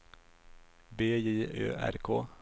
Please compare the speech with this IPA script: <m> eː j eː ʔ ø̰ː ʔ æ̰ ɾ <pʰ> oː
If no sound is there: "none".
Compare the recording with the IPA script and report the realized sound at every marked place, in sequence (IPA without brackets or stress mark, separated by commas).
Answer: b, kʰ